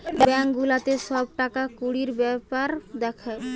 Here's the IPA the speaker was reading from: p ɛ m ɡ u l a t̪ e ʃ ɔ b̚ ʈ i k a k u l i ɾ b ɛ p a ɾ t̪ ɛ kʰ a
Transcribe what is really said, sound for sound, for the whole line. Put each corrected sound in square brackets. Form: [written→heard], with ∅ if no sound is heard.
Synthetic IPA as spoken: [p→b] ɛ [m→ŋ] ɡ u l a t̪ e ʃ ɔ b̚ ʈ [i→a] k a k u [l→ɽ] i ɾ b ɛ p a ɾ [t̪→d̪] ɛ kʰ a